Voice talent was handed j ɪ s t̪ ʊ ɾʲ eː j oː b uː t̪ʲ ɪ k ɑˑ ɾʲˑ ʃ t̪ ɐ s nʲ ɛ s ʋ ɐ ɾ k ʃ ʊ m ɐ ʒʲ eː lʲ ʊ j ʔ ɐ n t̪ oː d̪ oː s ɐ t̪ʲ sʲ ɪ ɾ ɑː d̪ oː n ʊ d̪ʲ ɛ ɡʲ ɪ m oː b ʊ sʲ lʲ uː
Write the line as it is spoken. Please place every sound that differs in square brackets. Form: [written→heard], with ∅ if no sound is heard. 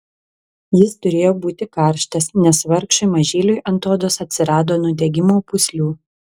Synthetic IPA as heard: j ɪ s t̪ ʊ ɾʲ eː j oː b uː t̪ʲ ɪ k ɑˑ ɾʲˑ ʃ t̪ ɐ s nʲ ɛ s ʋ ɐ ɾ k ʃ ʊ m ɐ ʒʲ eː lʲ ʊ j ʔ ɐ n t̪ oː d̪ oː s ɐ t̪ʲ sʲ ɪ ɾ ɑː d̪ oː n ʊ d̪ʲ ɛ ɡʲ ɪ m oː [b→p] ʊ sʲ lʲ uː